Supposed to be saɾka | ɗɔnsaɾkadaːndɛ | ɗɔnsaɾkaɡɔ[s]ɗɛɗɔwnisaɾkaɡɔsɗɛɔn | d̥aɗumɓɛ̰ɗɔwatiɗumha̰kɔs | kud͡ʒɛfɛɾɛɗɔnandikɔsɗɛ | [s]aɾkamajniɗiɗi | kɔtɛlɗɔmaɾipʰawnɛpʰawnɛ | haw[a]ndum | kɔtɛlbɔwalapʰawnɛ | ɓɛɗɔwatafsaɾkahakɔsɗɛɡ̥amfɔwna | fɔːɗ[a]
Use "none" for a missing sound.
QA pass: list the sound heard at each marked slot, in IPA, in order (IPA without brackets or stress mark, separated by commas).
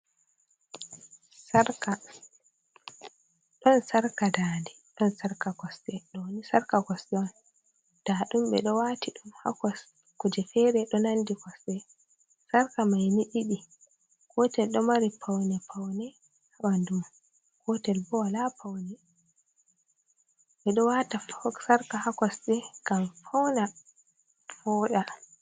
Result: s, s, a, a